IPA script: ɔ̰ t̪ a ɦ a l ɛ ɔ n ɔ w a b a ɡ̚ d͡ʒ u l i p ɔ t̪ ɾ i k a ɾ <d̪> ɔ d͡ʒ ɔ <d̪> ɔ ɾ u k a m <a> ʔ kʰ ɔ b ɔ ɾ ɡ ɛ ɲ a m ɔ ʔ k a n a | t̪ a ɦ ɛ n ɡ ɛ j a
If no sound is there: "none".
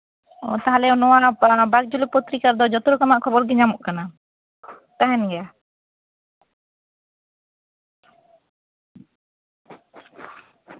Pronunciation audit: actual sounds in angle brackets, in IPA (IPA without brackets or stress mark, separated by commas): d̪, t̪, a